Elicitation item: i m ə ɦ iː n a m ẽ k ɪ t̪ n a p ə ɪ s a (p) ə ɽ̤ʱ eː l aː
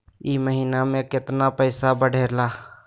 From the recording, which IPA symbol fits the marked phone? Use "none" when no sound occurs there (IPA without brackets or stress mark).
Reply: b